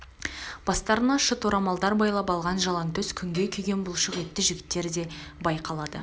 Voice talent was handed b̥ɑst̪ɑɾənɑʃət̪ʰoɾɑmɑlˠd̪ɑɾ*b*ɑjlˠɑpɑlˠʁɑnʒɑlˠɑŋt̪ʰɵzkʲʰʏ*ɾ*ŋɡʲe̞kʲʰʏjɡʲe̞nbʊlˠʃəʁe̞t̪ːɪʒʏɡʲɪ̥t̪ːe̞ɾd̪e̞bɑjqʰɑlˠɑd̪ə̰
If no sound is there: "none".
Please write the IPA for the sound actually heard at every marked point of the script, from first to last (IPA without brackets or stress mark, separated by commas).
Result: b, none